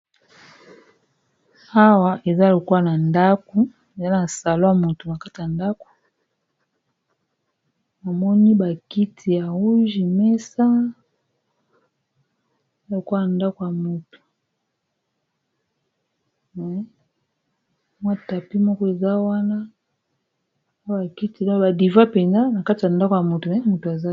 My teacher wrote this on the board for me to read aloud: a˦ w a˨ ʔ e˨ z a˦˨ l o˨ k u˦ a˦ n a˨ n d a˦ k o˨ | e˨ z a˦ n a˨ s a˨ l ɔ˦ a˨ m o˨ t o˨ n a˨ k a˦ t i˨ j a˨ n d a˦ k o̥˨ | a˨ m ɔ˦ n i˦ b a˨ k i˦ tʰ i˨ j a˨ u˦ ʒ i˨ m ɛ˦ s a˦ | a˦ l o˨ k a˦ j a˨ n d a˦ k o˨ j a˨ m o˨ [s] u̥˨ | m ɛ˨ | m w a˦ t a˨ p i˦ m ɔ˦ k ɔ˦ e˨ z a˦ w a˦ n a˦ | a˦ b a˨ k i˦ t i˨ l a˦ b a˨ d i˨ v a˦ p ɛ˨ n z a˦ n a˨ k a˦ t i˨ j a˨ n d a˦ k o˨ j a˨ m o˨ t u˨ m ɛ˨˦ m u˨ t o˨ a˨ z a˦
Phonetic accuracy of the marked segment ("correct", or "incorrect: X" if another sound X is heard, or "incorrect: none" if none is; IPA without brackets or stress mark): incorrect: t